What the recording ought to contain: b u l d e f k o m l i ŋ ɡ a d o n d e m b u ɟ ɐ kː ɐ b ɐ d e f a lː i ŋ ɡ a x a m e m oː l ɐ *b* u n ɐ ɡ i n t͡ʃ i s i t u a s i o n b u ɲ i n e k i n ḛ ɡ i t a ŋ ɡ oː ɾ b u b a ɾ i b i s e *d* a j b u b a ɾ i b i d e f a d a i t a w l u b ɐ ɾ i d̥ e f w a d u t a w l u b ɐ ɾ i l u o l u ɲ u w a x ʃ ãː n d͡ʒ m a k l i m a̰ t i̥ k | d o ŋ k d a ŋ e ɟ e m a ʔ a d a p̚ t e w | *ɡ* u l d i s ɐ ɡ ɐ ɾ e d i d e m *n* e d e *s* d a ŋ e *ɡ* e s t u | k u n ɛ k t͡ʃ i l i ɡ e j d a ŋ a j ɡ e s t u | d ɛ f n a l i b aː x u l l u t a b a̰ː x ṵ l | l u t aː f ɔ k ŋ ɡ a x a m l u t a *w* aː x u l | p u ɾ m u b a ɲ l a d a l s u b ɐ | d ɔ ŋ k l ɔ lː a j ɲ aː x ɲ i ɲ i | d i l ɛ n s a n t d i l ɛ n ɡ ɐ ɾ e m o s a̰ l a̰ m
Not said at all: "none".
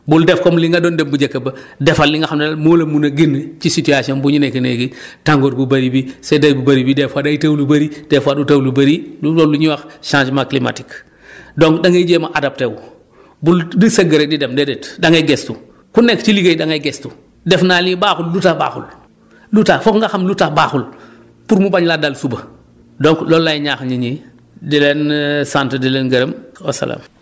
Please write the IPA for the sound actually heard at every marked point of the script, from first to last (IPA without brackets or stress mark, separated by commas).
m, d, b, d, t, ɡ, b